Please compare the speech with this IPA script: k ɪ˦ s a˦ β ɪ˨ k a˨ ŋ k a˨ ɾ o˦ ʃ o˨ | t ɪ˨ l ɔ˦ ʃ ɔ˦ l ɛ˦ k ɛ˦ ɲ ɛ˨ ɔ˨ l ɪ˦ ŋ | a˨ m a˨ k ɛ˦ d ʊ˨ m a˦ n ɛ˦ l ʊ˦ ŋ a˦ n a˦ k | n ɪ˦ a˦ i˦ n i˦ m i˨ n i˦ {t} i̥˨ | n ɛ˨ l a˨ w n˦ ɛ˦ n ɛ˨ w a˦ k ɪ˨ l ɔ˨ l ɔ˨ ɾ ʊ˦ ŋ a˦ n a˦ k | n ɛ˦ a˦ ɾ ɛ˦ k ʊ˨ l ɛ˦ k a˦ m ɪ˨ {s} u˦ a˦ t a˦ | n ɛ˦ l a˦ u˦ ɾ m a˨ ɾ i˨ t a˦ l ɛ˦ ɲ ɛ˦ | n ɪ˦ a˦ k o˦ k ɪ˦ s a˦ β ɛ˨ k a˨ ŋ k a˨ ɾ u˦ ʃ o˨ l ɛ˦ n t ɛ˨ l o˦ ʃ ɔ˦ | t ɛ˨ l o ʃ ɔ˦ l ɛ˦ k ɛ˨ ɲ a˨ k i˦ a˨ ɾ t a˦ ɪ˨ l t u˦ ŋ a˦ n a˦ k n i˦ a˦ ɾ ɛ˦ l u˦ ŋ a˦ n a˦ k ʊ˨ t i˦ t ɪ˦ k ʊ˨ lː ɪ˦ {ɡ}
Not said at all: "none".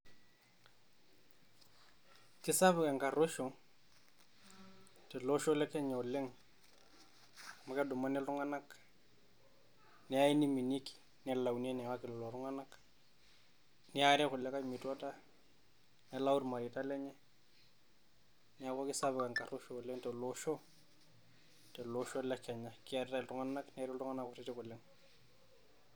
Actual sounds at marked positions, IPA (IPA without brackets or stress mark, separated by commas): k, t, ŋ